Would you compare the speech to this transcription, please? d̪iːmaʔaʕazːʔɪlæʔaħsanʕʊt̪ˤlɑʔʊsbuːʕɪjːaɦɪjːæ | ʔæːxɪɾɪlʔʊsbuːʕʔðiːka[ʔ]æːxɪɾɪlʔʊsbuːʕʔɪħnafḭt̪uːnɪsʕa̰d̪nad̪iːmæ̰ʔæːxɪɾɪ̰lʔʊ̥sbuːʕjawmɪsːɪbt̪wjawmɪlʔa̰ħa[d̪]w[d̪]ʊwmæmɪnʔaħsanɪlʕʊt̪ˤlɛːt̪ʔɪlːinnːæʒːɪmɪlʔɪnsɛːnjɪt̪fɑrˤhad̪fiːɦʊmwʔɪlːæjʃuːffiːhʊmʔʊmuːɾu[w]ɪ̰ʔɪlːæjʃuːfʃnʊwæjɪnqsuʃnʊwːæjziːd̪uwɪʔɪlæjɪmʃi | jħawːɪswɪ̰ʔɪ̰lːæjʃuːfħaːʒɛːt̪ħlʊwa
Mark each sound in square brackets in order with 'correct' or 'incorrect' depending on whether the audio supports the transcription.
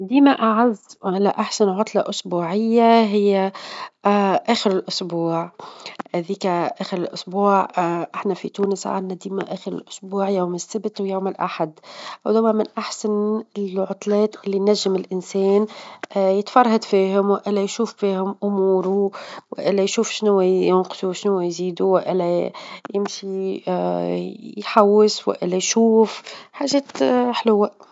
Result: correct, correct, correct, correct

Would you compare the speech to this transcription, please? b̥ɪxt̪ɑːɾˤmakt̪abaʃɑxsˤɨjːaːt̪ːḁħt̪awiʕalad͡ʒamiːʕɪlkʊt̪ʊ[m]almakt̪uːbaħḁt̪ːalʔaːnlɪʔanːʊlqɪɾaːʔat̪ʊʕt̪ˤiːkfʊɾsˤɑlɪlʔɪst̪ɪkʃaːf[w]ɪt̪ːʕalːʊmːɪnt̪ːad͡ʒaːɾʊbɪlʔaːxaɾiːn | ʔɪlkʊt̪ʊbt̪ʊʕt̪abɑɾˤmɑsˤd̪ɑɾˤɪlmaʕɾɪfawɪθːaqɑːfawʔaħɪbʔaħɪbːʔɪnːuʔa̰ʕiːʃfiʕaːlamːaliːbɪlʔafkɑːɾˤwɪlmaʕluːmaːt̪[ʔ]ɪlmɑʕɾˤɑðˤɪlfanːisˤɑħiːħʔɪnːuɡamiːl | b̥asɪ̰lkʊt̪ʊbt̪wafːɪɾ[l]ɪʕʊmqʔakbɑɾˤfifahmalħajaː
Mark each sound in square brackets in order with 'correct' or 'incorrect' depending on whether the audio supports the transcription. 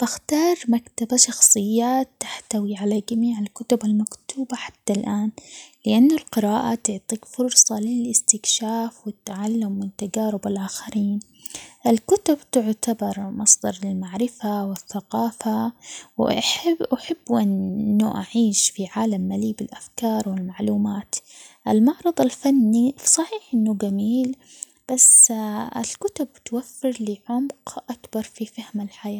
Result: incorrect: b, correct, correct, correct

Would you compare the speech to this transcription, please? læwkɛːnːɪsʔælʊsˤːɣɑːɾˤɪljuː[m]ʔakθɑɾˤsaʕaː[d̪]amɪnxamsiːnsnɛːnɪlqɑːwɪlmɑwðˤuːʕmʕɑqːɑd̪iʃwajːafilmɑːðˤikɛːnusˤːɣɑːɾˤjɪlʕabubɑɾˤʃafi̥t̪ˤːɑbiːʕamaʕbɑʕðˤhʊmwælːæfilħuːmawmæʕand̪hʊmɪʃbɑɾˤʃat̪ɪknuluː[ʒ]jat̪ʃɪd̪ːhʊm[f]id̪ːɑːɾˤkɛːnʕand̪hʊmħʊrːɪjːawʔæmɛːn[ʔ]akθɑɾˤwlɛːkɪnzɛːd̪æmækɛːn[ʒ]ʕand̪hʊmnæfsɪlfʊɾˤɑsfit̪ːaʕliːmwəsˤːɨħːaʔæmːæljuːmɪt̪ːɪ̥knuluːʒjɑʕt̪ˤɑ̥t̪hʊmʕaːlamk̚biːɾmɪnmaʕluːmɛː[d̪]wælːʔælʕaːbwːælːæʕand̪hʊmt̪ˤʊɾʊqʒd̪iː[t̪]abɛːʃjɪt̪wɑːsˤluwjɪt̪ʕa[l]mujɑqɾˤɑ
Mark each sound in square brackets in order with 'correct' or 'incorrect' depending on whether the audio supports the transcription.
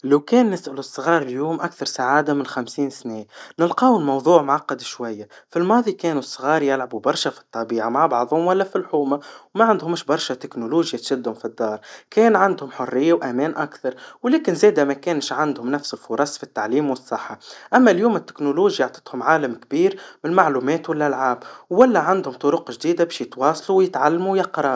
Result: correct, correct, correct, correct, correct, incorrect: ʃ, incorrect: t̪, incorrect: d̪, incorrect: lː

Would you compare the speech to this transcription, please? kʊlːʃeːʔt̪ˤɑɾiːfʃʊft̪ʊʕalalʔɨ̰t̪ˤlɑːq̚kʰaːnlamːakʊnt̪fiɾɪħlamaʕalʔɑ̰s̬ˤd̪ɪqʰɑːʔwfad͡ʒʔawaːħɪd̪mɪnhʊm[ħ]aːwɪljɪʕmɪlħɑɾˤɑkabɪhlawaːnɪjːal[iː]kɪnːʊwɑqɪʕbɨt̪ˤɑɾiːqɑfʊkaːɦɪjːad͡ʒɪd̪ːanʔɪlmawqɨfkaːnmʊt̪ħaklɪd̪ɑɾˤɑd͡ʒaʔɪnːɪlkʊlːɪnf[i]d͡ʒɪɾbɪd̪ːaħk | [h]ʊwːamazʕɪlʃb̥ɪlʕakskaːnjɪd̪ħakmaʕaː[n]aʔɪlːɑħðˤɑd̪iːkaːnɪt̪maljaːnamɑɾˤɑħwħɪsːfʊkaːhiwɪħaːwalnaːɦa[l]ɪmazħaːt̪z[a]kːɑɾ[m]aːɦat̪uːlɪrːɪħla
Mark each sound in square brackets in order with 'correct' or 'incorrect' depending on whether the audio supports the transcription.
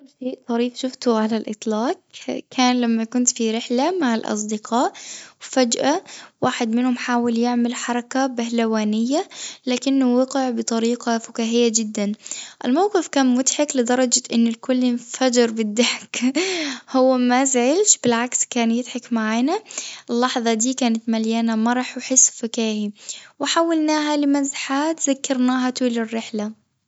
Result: correct, incorrect: aː, incorrect: a, correct, correct, correct, correct, incorrect: n

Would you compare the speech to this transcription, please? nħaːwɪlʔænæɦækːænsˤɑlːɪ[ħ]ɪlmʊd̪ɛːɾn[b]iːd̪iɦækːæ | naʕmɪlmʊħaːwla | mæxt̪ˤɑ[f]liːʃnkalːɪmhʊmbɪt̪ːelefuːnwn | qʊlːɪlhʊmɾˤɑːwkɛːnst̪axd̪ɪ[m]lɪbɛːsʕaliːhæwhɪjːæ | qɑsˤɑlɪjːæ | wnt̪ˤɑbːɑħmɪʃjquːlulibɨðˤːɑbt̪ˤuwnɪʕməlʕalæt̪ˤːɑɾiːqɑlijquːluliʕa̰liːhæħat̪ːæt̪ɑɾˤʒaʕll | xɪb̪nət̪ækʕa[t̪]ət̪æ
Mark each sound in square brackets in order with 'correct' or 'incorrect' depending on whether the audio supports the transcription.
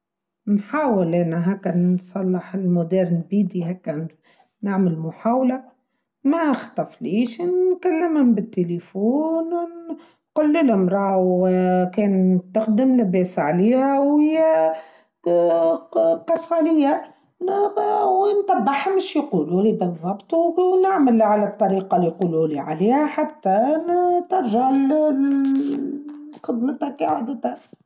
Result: correct, correct, correct, correct, incorrect: d̪

